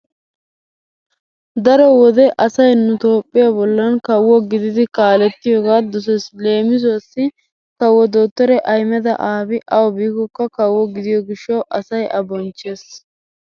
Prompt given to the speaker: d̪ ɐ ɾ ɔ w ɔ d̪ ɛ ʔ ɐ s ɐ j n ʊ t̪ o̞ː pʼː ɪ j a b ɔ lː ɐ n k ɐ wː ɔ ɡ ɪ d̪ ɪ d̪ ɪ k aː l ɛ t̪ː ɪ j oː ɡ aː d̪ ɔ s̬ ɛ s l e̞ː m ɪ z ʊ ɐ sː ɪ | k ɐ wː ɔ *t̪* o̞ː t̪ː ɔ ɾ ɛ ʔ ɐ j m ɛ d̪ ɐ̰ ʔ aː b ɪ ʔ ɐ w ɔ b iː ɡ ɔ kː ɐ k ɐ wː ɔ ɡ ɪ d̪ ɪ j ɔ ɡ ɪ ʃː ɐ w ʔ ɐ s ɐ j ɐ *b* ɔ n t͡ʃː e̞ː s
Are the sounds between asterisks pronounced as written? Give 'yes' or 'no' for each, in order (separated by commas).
no, yes